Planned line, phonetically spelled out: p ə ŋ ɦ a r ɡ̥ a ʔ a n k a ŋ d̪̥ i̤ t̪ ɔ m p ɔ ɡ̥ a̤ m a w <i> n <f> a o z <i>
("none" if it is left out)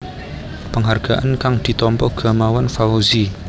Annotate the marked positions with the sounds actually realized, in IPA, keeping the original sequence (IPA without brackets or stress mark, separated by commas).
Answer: a, f, i